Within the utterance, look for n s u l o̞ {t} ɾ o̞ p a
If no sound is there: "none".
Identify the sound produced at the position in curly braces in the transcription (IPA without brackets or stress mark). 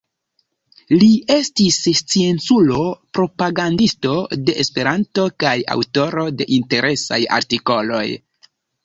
p